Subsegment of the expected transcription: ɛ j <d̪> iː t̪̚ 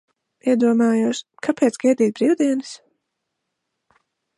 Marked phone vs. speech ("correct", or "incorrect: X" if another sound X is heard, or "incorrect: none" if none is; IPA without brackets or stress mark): correct